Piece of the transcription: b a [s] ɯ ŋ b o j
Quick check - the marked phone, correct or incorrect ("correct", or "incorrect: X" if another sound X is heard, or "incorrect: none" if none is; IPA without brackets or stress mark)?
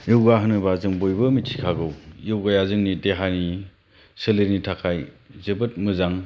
incorrect: z